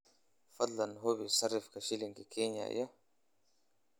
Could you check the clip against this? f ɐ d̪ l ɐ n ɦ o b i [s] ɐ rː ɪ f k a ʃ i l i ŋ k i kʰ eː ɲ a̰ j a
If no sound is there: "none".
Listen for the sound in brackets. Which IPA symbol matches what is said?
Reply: s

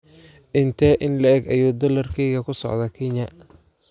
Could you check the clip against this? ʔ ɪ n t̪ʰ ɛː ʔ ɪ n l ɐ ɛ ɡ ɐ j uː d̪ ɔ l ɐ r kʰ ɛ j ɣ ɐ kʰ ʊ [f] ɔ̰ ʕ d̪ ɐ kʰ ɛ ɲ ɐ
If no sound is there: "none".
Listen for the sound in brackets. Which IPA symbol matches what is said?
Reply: s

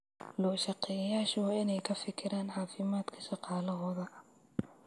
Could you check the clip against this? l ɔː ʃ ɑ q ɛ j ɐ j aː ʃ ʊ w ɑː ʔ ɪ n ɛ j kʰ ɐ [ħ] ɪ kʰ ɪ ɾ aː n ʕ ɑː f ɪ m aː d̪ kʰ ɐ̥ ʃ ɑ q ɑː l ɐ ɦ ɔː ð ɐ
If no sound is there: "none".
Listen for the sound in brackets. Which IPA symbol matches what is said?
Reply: f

